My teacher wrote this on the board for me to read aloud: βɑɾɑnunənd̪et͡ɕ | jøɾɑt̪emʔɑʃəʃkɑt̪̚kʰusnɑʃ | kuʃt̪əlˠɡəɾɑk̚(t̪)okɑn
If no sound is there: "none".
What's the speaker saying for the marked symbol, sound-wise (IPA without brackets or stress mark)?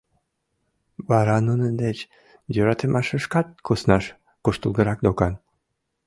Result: d̪